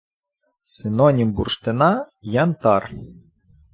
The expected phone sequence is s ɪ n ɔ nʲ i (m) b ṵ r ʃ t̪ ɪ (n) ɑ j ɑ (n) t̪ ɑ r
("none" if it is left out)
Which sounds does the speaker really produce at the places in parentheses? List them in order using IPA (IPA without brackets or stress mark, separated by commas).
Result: m, n, n